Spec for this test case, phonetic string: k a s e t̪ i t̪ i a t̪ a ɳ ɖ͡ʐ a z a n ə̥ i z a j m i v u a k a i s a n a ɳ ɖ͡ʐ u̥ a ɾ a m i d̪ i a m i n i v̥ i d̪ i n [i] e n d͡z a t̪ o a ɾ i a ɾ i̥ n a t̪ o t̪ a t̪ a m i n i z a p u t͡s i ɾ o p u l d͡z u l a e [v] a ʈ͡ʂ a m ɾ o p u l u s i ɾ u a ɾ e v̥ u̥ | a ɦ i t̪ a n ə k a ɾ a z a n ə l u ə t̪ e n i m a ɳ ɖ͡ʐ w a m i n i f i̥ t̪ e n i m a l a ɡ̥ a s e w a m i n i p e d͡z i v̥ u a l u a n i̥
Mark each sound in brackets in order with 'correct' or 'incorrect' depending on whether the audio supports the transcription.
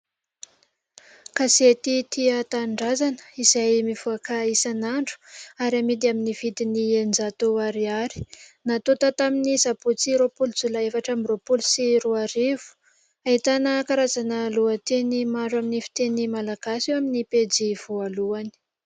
correct, incorrect: f

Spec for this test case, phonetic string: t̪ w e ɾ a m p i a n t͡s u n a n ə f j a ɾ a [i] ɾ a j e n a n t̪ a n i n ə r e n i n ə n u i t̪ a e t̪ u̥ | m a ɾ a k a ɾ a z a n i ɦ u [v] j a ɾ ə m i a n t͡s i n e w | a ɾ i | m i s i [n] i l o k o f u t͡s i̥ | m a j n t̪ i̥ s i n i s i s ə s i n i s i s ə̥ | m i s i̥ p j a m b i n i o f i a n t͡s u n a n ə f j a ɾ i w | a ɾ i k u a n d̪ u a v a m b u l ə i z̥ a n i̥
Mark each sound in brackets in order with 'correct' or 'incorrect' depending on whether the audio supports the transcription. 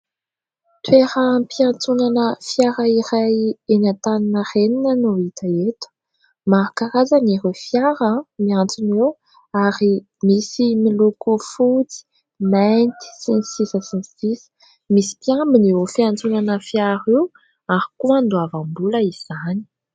correct, incorrect: f, incorrect: m

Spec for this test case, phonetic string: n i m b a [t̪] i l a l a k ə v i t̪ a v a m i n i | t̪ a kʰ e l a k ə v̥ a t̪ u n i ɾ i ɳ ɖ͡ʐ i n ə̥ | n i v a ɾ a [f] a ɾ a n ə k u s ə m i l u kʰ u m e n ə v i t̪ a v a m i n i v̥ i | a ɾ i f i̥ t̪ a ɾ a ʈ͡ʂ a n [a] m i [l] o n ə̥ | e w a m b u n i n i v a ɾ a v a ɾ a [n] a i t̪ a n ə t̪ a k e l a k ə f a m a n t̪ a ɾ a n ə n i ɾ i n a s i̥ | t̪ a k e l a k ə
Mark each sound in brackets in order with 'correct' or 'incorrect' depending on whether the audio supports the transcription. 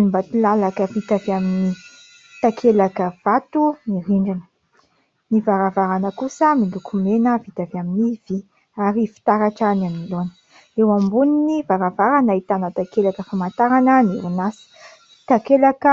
correct, incorrect: v, correct, correct, correct

